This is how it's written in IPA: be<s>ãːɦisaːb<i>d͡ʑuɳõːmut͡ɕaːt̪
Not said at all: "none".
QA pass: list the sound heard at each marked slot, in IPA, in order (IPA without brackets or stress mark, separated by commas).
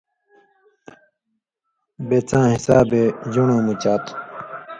t͡s, e